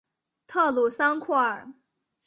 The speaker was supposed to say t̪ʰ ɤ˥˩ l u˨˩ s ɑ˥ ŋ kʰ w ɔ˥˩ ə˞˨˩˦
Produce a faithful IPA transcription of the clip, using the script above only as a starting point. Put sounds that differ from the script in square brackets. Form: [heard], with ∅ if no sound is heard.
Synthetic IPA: t̪ʰ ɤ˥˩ l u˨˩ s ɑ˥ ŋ kʰ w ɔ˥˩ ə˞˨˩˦